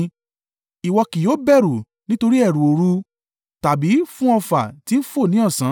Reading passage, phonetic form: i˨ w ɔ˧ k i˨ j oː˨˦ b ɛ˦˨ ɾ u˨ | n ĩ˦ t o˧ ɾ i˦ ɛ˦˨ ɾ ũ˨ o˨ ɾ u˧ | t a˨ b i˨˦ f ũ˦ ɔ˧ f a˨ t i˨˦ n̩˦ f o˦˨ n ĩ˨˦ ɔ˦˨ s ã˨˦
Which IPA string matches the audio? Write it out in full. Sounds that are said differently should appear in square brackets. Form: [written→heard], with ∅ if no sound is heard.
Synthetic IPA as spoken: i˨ w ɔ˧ k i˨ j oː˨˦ b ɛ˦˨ ɾ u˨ | n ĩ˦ t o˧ ɾ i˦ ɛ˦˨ ɾ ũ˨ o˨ ɾ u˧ | t a˨ b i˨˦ f ũ˦ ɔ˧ f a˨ t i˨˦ n̩˦ f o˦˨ n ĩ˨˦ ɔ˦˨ s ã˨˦